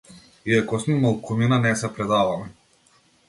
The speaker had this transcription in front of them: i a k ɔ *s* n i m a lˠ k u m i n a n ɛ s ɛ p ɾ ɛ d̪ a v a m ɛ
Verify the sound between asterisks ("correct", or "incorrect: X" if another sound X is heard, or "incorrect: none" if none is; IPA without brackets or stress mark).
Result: correct